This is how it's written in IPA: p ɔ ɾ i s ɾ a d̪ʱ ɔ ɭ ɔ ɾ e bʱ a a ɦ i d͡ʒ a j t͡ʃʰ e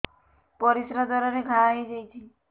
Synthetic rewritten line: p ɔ ɾ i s ɾ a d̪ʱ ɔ ɾ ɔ ɾ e ɡʱ a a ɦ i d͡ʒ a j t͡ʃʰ i